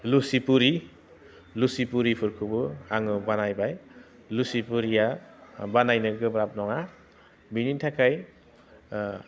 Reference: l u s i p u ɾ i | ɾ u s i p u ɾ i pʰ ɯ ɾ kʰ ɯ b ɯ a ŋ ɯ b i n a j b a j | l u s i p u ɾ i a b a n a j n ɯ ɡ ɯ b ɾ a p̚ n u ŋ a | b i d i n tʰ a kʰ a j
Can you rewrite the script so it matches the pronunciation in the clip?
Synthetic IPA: l u s i p u ɾ i | l u s i p u ɾ i pʰ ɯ ɾ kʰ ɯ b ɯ a ŋ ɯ b a n a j b a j | l u s i p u ɾ i a b a n a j n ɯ ɡ ɯ b ɾ a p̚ n ɔ ŋ a | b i n i n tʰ a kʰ a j